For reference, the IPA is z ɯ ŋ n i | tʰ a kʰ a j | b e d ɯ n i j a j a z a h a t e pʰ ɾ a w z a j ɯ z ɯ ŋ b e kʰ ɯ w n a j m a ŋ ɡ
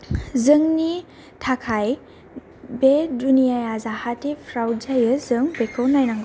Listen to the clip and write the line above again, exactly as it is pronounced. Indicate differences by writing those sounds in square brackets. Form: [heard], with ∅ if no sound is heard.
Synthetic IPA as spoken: z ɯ ŋ n i | tʰ a kʰ a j | b e d [u] n i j a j a z a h a t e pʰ ɾ a w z a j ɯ z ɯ ŋ b e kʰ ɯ w n a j [n] a ŋ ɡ